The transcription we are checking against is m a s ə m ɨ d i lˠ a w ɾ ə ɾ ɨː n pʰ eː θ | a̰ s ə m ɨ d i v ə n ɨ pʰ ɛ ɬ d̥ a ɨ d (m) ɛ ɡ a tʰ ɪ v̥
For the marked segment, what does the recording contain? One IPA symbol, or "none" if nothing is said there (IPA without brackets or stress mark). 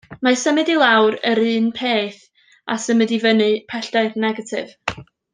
n